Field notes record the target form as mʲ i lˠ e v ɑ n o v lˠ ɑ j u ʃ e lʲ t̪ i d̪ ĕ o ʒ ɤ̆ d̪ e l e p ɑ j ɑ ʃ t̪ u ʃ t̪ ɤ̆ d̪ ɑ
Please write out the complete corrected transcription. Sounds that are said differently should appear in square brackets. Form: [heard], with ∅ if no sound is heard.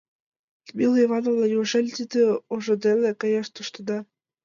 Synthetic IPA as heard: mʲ i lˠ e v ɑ n o v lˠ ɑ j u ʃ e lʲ t̪ i d̪ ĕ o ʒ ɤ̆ d̪ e l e [k] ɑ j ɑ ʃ t̪ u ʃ t̪ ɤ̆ d̪ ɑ